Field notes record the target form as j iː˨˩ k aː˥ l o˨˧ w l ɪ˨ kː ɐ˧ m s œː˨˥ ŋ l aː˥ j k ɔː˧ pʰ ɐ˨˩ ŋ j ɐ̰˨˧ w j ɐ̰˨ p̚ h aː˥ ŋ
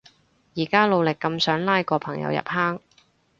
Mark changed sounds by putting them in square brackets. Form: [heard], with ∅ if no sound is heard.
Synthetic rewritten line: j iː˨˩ k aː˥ l o˨˧ w l ɪ˨ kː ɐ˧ m s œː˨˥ ŋ l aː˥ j k ɔː˧ pʰ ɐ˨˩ ŋ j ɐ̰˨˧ w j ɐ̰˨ p̚ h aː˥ ŋ